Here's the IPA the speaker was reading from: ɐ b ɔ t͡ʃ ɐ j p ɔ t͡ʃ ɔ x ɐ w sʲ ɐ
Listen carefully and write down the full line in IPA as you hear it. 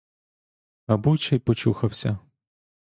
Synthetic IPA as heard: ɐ b u t͡ʃ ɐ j p ɔ t͡ʃ u x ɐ w sʲ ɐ